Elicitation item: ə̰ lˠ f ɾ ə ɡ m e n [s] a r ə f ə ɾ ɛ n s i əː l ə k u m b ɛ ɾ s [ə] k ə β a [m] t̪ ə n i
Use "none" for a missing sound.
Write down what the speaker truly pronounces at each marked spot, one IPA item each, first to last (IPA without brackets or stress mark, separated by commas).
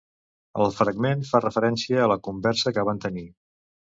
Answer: f, ə, n